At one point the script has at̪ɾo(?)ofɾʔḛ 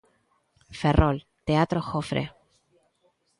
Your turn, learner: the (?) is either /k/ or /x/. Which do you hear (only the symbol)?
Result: x